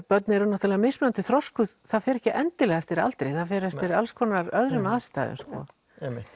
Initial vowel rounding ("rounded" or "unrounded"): rounded